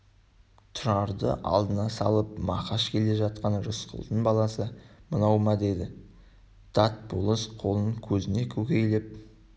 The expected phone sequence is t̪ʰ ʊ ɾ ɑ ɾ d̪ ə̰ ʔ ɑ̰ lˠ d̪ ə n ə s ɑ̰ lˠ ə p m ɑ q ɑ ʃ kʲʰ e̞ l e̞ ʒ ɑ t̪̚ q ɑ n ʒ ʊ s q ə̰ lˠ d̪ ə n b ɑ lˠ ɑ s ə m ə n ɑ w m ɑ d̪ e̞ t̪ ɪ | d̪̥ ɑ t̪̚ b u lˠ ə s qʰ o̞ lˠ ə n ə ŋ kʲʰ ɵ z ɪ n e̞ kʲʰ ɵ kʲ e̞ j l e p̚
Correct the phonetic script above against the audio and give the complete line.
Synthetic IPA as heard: t̪ʰ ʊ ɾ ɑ ɾ d̪ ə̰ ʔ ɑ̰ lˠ d̪ ə n ɑ s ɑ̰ lˠ ə p m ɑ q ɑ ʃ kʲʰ e̞ l e̞ ʒ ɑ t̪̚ q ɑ n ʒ ʊ s q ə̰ lˠ d̪ ə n b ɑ lˠ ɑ s ə m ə n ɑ w m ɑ d̪ e̞ d̪ ɪ | d̪̥ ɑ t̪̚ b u lˠ ə s qʰ o̞ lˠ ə n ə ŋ kʲʰ ɵ z ɪ n e̞ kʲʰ ɵ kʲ e̞ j l e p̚